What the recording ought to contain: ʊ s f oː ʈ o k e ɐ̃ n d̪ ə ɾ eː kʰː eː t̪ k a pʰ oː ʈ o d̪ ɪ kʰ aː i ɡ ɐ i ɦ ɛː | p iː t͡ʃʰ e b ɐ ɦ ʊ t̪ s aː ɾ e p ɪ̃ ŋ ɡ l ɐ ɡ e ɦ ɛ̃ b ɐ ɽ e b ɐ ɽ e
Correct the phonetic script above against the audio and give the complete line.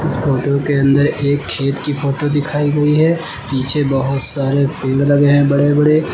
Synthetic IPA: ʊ s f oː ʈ o k e ɐ̃ n d̪ ə ɾ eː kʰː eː t̪ k i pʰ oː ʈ o d̪ ɪ kʰ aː i ɡ ɐ i ɦ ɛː | p iː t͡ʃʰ e b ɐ ɦ ʊ t̪ s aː ɾ e p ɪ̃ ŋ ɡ l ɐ ɡ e ɦ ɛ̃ b ɐ ɽ e b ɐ ɽ e